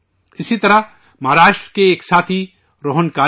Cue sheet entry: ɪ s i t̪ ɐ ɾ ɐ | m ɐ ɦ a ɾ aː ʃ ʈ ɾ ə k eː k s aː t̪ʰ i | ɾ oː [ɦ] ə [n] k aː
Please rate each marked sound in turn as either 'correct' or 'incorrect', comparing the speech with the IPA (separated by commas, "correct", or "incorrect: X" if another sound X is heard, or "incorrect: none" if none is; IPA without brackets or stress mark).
correct, correct